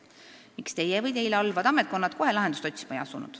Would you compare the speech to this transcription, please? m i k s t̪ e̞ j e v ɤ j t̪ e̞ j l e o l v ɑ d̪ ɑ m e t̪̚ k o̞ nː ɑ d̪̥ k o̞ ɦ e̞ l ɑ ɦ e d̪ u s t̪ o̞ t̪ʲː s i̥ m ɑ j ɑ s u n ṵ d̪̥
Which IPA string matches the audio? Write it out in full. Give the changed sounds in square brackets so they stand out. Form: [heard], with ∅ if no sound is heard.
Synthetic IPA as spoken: m i k s t̪ e̞ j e v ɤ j t̪ e̞ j l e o l v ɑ d̪ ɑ m e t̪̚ k o̞ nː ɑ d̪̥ k o̞ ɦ e̞ l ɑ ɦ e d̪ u s t̪ o̞ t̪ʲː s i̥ m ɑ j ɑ s u n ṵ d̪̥